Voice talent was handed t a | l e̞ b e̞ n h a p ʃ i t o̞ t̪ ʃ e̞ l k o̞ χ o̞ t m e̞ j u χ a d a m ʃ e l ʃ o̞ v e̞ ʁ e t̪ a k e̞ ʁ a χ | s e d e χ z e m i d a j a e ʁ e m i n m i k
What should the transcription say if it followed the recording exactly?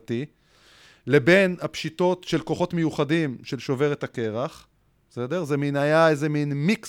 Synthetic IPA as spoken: t i | l e̞ b e̞ n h a p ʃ i t o̞ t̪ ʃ e̞ l k o̞ χ o̞ t m e̞ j u χ a d i m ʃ e l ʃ o̞ v e̞ ʁ e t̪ a k e̞ ʁ a χ | s e d e ʁ z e m i n a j a e z e m i n m i k